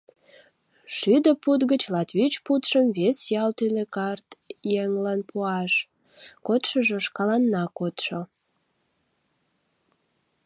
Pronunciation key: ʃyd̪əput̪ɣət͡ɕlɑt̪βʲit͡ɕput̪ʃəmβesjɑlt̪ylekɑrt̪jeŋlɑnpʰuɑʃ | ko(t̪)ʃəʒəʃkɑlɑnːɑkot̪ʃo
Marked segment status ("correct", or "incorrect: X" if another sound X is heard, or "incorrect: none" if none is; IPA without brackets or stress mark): correct